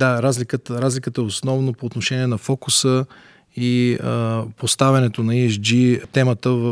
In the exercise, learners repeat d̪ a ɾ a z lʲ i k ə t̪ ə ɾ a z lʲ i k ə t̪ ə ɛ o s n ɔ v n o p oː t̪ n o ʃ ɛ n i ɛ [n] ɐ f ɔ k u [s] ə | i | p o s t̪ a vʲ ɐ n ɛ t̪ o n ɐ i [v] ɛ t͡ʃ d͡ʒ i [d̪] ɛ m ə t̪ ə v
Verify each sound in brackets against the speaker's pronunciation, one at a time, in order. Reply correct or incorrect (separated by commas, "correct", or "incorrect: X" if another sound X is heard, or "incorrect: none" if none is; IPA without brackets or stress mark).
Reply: correct, correct, incorrect: none, incorrect: t̪